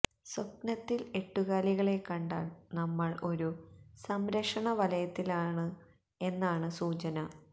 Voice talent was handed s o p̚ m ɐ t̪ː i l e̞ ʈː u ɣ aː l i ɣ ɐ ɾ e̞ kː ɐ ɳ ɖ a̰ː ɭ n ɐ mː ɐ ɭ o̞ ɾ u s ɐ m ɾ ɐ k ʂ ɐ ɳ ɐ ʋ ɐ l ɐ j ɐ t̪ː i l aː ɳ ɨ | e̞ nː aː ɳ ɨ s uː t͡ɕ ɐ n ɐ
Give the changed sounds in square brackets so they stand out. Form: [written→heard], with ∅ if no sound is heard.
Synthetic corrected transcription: s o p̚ [m→n] ɐ t̪ː i l e̞ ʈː u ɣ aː l i ɣ ɐ [ɾ→ɭ] e̞ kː ɐ ɳ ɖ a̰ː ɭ n ɐ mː ɐ ɭ o̞ ɾ u s ɐ m ɾ ɐ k ʂ ɐ ɳ ɐ ʋ ɐ l ɐ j ɐ t̪ː i l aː ɳ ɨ | e̞ nː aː ɳ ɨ s uː t͡ɕ ɐ n ɐ